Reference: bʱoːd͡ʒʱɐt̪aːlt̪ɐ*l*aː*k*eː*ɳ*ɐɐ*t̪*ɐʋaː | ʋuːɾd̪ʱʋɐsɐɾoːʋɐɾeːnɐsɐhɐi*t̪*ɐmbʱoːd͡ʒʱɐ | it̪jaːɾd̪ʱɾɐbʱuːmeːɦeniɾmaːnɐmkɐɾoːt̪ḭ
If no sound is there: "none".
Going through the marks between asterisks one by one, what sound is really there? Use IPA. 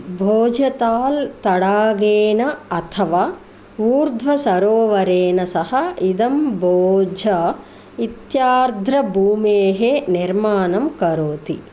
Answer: ɽ, ɡ, n, t̪ʰ, d̪

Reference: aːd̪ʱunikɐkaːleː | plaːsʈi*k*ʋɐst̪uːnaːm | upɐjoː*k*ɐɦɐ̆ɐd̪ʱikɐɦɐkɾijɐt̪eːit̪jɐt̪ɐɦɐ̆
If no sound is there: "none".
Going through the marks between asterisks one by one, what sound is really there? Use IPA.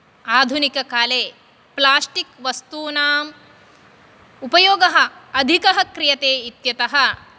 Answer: k, ɡ

